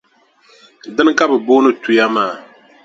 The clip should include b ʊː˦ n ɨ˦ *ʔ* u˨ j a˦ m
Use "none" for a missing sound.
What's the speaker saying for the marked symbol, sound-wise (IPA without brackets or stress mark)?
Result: t